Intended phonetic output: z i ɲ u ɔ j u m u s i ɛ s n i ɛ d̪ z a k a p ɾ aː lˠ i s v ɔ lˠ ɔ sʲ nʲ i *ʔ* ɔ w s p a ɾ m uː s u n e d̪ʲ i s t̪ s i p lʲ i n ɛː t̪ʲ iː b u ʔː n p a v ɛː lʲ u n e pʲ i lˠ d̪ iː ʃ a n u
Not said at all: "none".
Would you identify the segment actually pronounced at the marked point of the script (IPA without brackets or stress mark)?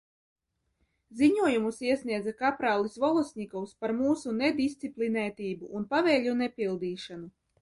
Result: k